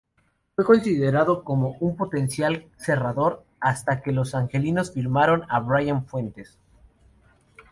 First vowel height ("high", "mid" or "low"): mid